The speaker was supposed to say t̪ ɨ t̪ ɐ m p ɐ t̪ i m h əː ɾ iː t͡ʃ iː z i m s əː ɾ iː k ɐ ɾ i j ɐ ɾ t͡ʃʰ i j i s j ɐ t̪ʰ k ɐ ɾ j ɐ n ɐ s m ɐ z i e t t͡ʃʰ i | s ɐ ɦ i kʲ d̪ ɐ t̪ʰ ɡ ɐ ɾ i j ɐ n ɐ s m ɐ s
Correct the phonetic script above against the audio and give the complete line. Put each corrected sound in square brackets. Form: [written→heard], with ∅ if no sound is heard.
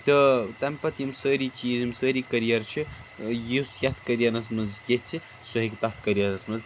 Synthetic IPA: t̪ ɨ t̪ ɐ m p ɐ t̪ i m [h→s] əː ɾ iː t͡ʃ iː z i m s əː ɾ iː k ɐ ɾ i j ɐ ɾ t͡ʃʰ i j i s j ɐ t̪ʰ k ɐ ɾ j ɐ n ɐ s m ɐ z [i→j] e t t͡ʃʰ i | s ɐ ɦ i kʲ [d̪→t̪] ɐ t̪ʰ [ɡ→k] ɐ ɾ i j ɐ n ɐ s m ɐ [s→z]

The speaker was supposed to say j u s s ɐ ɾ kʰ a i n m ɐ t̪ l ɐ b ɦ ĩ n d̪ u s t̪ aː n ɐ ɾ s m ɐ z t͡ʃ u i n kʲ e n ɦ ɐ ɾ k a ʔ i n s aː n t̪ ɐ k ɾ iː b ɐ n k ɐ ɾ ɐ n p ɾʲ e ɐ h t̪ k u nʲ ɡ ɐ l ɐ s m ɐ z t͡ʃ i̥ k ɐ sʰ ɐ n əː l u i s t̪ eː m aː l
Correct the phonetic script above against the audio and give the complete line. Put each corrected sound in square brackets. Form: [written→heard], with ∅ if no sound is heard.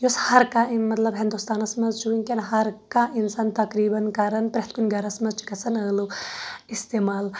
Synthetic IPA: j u s [s→h] ɐ ɾ [kʰ→k] a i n m ɐ t̪ l ɐ b ɦ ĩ n d̪ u s t̪ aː n ɐ [ɾ→∅] s m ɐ z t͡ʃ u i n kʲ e n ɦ ɐ ɾ k a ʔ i n s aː n t̪ ɐ k ɾ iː b ɐ n k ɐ ɾ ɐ n p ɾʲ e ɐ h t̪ k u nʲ ɡ ɐ [l→ɾ] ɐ s m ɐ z t͡ʃ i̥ k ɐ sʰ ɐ n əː l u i s t̪ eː m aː l

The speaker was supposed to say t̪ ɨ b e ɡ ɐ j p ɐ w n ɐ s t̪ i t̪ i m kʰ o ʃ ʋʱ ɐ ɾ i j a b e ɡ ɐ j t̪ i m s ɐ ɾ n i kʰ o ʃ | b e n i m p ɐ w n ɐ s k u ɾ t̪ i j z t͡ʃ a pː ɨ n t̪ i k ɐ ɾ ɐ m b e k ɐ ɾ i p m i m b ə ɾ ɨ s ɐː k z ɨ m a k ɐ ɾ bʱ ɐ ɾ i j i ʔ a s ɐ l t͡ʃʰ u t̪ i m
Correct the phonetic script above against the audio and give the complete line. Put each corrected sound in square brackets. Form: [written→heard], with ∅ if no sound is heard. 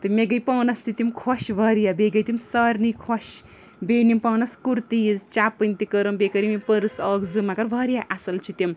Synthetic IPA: t̪ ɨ [b→m] e ɡ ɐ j p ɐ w n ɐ s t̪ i t̪ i m kʰ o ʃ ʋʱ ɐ ɾ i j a b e ɡ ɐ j t̪ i m s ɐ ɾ n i kʰ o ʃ | b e n i m p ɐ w n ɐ s k u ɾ t̪ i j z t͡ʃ a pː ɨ n t̪ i k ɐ ɾ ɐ m b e k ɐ ɾ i [p→∅] m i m [b→p] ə ɾ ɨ s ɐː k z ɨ m a k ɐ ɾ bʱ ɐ ɾ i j [i→a] ʔ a s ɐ l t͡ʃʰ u t̪ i m

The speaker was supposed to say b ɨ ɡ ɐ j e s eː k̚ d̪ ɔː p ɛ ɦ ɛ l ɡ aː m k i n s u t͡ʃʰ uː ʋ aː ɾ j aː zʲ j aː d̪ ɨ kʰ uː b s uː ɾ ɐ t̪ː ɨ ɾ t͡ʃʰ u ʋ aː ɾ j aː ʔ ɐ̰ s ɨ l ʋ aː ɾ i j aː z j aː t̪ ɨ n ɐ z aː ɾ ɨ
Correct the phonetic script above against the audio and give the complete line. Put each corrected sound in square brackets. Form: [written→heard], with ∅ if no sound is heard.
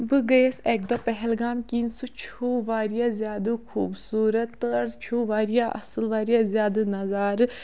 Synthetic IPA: b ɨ ɡ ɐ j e s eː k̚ d̪ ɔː p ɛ ɦ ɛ l ɡ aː m k i n s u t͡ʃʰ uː ʋ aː ɾ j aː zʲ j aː d̪ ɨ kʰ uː b s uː ɾ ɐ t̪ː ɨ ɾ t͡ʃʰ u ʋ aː ɾ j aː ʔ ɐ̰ s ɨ l ʋ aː ɾ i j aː z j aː [t̪→d̪] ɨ n ɐ z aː ɾ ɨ

